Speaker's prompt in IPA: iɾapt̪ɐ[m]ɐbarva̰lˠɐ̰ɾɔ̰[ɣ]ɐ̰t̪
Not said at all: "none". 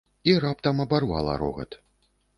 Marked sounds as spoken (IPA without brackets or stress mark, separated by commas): m, ɣ